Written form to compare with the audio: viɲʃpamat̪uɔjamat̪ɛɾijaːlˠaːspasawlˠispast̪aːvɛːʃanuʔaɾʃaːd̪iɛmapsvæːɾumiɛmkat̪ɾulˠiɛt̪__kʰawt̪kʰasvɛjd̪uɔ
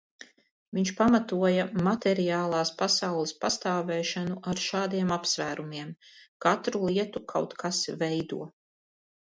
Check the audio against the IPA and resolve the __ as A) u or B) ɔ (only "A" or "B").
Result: A